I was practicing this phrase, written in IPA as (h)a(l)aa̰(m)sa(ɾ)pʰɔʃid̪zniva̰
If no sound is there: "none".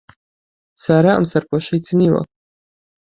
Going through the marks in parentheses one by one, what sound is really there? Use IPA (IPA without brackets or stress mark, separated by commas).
s, ɾ, m, ɾ